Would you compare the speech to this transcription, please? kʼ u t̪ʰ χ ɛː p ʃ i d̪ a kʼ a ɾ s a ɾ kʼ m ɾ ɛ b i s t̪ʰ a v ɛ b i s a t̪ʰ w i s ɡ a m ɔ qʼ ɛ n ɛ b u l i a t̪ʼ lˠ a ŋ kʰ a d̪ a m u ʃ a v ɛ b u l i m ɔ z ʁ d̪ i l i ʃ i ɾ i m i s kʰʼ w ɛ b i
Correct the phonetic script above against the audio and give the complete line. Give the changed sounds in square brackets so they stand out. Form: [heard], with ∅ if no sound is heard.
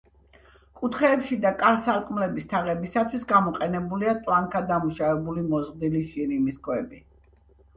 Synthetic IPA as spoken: kʼ u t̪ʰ χ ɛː p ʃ i d̪ a kʼ a ɾ s a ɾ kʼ m [l] ɛ b i s t̪ʰ a [ʁ] ɛ b i s a t̪ʰ w i s ɡ a m ɔ qʼ ɛ n ɛ b u l i a t̪ʼ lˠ a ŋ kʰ a d̪ a m u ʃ a v ɛ b u l i m ɔ z ʁ d̪ i l i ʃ i ɾ i m i s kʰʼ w ɛ b i